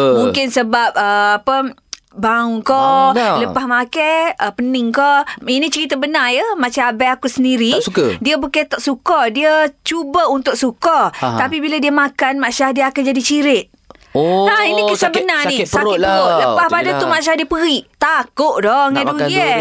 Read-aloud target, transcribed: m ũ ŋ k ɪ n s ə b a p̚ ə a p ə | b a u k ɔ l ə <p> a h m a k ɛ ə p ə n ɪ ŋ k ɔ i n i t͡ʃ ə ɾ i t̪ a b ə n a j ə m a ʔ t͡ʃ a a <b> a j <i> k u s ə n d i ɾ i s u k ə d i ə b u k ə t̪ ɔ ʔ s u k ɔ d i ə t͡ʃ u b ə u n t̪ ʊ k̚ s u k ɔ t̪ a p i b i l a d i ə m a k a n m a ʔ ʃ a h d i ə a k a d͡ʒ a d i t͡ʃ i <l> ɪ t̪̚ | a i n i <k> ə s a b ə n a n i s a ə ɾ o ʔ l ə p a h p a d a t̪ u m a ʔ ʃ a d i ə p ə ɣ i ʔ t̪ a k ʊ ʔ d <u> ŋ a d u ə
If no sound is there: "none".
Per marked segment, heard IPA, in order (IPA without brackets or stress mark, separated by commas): p, b, a, ɾ, k, ɔ